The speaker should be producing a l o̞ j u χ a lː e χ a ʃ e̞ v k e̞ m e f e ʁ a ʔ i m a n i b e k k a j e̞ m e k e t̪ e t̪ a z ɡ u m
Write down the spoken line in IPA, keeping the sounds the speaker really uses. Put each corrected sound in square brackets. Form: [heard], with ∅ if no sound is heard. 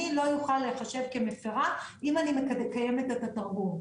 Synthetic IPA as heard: [i] l o̞ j u χ a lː e χ a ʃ e̞ v k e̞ m e f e ʁ a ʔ i m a n i [m] e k k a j e̞ m e [t] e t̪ [a] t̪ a [ʁ] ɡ u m